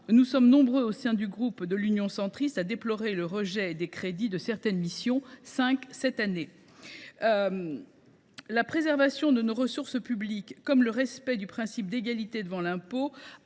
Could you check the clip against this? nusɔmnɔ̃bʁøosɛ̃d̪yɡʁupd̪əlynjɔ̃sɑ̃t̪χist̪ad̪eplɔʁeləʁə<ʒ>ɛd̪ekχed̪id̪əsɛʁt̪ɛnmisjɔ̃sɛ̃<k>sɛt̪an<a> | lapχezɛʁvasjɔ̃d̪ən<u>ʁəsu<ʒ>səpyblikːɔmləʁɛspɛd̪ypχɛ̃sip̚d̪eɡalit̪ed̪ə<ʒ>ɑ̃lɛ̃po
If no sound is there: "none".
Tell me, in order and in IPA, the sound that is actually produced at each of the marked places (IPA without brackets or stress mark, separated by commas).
ʒ, k, e, o, ʁ, v